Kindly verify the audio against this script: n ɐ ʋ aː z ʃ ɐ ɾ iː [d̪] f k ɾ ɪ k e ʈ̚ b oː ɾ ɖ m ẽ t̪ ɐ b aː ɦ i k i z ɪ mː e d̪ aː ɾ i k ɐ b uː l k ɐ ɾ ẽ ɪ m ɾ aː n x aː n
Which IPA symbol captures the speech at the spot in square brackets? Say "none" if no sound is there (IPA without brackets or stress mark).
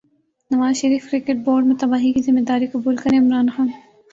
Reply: none